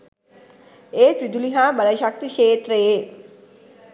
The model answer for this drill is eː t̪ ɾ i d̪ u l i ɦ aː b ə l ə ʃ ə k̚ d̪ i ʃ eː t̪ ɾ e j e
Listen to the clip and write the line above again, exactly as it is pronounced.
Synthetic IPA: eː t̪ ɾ i d̪ u l i ɦ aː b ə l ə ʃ a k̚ t̪ i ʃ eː t̪ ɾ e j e